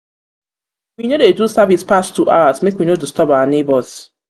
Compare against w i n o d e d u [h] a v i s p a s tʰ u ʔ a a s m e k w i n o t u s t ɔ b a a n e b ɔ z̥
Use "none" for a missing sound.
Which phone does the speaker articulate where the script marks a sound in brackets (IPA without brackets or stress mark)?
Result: s